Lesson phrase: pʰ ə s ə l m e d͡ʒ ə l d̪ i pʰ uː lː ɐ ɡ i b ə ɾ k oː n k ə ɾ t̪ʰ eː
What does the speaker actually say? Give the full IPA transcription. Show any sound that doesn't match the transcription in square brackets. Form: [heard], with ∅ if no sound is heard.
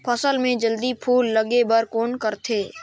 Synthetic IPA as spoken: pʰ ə s ə l m [ẽ] d͡ʒ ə l d̪ i pʰ uː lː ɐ ɡ [e] b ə ɾ k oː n k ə ɾ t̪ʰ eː